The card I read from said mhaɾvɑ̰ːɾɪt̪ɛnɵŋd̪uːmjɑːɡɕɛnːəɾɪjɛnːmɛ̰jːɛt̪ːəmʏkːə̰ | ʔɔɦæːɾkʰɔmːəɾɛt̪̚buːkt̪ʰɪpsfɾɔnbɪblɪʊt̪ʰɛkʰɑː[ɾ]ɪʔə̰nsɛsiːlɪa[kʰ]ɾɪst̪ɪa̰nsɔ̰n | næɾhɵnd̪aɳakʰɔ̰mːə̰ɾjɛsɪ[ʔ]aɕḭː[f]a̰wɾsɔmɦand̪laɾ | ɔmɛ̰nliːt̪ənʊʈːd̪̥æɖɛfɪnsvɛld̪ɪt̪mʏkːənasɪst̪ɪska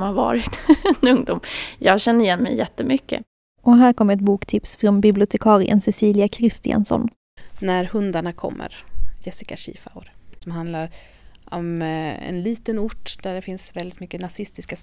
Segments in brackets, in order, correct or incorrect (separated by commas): correct, correct, incorrect, correct